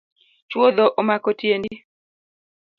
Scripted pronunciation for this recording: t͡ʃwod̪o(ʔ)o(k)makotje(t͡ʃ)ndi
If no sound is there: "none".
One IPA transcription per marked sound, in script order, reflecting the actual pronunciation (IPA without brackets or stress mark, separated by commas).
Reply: ʔ, none, none